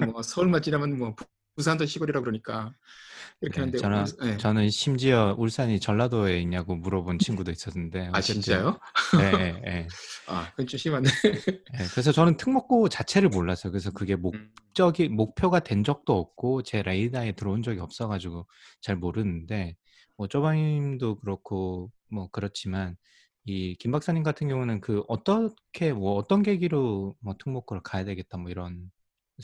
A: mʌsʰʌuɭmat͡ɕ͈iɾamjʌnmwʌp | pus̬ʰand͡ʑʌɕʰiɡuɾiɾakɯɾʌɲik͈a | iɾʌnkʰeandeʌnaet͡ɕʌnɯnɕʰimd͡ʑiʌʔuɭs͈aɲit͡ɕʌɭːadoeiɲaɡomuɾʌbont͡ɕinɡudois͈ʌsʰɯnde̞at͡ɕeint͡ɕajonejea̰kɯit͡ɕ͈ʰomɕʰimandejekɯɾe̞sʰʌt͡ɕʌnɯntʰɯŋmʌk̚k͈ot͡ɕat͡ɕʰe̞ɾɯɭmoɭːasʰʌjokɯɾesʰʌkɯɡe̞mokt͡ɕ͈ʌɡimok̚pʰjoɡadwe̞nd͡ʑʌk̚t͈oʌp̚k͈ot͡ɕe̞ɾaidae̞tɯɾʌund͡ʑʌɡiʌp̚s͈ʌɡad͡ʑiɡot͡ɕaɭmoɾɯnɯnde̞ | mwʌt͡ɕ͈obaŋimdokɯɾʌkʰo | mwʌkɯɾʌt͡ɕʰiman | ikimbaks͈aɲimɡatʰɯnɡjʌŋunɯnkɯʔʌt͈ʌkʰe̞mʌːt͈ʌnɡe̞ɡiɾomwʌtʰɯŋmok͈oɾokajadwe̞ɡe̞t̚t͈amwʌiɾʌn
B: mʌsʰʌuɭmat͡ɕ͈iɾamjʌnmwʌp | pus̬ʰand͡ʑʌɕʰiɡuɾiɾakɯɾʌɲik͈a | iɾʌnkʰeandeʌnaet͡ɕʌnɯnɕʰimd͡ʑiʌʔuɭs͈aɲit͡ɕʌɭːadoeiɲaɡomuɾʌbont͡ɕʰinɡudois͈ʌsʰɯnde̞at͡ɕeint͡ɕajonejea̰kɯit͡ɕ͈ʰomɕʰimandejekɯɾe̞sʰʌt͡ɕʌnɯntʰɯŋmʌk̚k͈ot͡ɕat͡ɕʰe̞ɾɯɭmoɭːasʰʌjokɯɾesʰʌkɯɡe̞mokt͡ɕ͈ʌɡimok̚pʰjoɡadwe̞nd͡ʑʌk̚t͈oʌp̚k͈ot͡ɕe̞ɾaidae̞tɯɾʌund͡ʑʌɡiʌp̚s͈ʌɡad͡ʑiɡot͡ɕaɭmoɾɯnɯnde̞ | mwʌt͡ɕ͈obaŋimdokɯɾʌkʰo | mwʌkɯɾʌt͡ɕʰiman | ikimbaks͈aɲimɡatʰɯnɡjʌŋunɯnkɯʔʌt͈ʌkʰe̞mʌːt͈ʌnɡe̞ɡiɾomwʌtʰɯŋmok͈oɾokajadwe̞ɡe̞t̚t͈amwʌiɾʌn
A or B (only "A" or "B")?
B